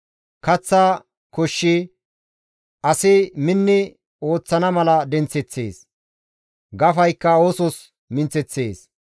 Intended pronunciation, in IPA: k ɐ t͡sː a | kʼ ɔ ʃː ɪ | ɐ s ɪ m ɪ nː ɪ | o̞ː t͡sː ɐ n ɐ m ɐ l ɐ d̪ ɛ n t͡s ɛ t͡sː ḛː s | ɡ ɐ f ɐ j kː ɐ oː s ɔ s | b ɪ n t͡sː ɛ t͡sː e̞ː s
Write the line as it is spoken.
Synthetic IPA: k ɐ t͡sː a | k ɔ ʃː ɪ | ɐ s ɪ m ɪ nː ɪ | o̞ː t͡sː ɐ n ɐ m ɐ l ɐ d̪ ɛ n t͡s ɛ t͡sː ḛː s | ɡ ɐ f ɐ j kː ɐ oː s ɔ s | m ɪ n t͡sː ɛ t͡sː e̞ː s